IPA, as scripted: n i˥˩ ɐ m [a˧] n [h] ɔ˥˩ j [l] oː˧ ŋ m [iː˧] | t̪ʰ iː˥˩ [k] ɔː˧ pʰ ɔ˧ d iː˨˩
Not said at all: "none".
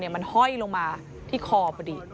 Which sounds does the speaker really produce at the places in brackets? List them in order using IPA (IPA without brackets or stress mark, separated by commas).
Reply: a˧, h, l, aː˧, kʰ